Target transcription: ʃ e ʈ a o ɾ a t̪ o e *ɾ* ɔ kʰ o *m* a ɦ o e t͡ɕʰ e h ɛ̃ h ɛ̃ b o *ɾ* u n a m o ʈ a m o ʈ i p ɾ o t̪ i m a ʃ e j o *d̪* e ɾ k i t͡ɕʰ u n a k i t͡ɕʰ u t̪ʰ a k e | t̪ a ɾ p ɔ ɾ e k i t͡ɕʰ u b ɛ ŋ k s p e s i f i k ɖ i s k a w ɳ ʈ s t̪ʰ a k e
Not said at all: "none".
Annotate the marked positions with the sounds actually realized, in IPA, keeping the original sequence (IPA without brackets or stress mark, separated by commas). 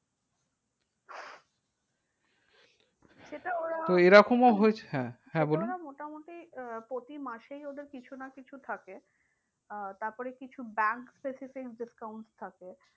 ɾ, m, l, d̪